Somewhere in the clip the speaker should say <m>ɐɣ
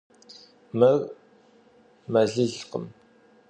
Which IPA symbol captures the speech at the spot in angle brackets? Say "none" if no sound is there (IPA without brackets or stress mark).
m